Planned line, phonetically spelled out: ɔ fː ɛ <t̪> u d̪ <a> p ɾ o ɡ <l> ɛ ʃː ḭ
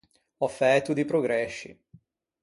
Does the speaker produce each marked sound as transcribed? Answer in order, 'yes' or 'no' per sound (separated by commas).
yes, no, no